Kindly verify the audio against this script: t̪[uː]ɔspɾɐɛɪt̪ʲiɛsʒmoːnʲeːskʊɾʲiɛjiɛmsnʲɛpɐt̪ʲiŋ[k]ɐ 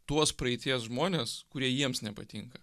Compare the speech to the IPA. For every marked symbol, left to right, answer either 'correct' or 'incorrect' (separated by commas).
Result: incorrect, correct